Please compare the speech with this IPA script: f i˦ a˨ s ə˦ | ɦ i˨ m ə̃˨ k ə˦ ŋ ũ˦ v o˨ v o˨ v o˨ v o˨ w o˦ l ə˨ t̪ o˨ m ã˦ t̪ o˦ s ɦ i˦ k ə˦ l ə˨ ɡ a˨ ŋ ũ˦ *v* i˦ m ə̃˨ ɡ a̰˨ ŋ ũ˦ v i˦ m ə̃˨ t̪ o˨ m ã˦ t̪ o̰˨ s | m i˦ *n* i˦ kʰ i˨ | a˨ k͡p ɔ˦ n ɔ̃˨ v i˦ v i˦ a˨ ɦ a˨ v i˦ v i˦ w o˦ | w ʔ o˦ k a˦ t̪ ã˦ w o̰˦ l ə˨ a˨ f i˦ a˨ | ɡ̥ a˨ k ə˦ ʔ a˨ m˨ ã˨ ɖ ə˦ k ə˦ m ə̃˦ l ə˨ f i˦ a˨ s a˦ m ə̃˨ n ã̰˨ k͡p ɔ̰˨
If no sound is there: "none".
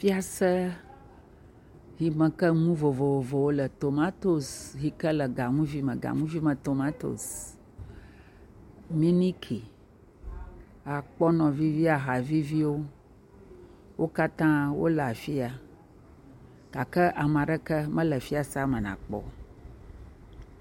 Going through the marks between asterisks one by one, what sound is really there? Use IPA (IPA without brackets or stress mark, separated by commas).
v, n